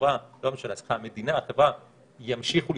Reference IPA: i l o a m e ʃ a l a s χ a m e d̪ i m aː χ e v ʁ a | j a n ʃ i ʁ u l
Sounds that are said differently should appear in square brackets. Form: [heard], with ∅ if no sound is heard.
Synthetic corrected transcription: [a] l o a m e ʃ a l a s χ a m e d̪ i [n] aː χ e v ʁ a | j a [m] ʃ i [χ] u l